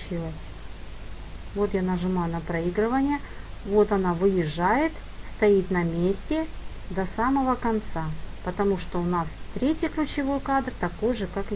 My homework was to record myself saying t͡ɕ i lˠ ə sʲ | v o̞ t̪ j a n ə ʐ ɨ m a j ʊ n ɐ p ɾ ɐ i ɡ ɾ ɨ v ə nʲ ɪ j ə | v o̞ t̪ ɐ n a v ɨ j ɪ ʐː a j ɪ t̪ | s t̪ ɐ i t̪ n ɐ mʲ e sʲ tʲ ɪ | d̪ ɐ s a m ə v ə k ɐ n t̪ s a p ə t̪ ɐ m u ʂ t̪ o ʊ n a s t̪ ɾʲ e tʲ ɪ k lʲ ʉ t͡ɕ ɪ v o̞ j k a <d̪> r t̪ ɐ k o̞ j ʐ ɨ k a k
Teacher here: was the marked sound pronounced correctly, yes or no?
yes